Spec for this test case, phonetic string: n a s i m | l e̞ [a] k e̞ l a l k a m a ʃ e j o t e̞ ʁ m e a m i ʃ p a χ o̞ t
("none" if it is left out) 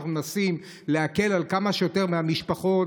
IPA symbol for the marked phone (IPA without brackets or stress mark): a